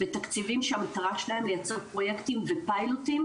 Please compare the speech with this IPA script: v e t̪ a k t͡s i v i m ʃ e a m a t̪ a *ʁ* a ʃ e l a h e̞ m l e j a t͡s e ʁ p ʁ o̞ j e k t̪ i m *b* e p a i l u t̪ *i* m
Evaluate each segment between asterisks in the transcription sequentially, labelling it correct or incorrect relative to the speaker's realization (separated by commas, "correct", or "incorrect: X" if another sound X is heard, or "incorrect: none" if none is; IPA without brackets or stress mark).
correct, incorrect: v, correct